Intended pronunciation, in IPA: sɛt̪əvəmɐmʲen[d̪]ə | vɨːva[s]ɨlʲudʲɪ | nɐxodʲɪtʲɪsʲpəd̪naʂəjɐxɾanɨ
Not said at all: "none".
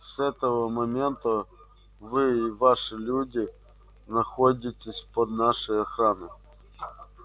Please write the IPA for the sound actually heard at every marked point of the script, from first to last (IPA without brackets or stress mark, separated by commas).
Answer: t̪, ʂ